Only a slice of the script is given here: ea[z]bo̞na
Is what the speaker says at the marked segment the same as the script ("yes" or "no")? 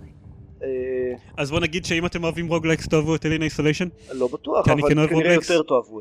yes